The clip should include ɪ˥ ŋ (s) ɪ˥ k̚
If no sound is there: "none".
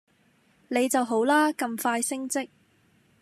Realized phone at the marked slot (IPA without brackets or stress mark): t͡s